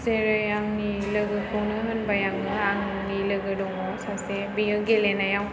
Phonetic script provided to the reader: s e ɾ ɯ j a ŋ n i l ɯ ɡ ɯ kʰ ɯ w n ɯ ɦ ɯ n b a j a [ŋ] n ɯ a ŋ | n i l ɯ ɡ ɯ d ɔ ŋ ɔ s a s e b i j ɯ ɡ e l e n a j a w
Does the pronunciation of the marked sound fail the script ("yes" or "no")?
no